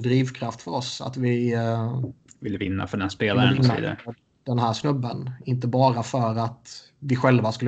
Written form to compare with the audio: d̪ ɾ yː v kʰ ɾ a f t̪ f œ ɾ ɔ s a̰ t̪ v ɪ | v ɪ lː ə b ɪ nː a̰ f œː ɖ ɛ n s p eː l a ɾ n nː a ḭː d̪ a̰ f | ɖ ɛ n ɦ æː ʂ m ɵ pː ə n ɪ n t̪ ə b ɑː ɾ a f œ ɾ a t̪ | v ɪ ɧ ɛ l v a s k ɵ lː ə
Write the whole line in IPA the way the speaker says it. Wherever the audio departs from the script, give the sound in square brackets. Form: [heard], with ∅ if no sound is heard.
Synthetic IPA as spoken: d̪ ɾ [iː] v kʰ ɾ a f t̪ f œ ɾ ɔ s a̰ t̪ v ɪ | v ɪ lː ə [v] ɪ nː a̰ f [œ] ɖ ɛ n s p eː l a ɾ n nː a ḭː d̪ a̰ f | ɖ ɛ n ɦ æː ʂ [n] ɵ [bː] ə n ɪ n t̪ ə b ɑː ɾ a f œ ɾ a t̪ | v ɪ ɧ ɛ l v a s k ɵ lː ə